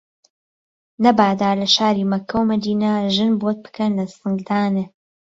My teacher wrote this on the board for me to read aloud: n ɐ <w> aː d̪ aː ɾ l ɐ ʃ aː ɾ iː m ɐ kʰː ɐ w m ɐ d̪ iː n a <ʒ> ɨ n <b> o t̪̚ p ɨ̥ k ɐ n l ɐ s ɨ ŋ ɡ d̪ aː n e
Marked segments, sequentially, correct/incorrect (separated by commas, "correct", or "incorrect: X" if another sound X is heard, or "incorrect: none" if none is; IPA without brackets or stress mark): incorrect: b, correct, correct